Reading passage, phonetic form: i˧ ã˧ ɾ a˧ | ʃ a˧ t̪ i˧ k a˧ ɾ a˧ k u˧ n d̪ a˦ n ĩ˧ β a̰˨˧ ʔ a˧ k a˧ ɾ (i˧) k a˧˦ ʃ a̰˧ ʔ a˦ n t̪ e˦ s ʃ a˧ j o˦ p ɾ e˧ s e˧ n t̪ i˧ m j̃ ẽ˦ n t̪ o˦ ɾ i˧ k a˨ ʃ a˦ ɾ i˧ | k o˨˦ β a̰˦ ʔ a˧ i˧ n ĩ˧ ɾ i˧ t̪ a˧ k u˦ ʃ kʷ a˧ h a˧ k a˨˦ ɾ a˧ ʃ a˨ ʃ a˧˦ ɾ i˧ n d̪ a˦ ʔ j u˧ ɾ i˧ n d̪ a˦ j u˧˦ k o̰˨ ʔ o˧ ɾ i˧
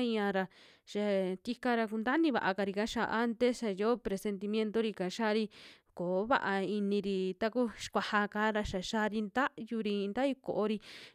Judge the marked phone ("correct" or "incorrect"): correct